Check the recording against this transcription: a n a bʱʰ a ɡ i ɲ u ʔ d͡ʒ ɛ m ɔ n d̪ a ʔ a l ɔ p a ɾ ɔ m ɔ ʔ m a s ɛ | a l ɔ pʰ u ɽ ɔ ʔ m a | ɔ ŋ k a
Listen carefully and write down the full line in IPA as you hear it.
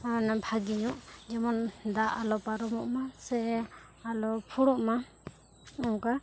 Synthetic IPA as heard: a n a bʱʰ a ɡ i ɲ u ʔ d͡ʒ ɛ m ɔ n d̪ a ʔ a l ɔ p a ɾ ɔ m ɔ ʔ m a s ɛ | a l ɔ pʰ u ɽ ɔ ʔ m a | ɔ ŋ k a